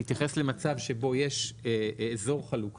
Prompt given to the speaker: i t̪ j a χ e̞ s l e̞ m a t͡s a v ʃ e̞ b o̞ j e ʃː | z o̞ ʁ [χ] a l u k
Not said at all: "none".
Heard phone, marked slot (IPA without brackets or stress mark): χ